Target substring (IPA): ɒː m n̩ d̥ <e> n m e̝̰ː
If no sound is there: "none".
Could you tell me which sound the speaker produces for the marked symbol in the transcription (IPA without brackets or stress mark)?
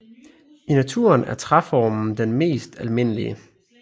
e